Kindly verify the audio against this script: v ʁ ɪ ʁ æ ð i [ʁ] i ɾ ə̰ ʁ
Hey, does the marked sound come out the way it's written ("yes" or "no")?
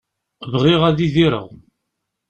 no